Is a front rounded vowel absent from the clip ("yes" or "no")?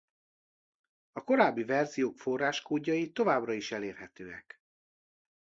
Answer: no